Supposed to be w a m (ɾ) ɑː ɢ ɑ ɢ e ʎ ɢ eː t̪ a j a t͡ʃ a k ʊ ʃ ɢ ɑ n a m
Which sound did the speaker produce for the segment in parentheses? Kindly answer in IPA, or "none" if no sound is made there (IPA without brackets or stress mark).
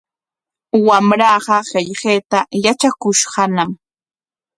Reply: ɾ